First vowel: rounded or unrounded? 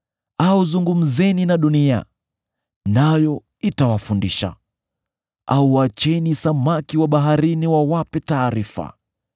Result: unrounded